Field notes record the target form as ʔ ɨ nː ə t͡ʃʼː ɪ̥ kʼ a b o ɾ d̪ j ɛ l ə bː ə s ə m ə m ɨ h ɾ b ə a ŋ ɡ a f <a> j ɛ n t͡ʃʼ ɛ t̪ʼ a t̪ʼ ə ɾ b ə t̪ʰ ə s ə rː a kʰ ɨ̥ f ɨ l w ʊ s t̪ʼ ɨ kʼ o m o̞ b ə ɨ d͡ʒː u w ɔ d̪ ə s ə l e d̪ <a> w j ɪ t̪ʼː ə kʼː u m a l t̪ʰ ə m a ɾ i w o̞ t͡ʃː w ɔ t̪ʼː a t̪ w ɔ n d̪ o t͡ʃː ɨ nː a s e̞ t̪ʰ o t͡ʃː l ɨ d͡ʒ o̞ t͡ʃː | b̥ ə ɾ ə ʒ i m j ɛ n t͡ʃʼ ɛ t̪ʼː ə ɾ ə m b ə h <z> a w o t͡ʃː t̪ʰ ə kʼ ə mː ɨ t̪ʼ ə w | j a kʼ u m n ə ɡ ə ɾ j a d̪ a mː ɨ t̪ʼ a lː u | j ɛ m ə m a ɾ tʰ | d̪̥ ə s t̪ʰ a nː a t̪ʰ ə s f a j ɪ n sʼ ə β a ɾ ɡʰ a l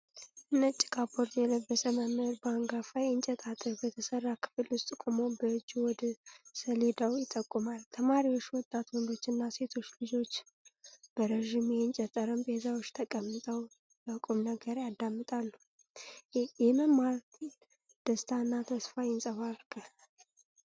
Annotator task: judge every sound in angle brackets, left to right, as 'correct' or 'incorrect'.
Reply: correct, correct, correct

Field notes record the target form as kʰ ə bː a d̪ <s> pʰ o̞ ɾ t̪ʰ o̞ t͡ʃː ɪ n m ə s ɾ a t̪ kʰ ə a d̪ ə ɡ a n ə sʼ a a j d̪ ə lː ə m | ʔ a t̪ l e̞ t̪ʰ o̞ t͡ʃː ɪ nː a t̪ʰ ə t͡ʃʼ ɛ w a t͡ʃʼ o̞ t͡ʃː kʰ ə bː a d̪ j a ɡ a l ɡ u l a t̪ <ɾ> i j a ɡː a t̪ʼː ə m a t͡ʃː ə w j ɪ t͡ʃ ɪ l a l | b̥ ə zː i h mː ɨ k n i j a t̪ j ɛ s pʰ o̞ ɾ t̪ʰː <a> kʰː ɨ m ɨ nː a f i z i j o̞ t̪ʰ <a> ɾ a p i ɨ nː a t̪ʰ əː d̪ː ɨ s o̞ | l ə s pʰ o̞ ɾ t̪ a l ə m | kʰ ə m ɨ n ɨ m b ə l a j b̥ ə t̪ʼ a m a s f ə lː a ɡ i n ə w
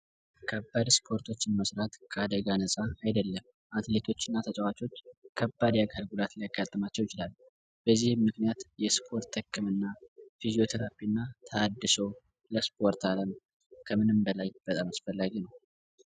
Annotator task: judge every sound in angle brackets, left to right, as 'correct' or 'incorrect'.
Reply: correct, incorrect, incorrect, incorrect

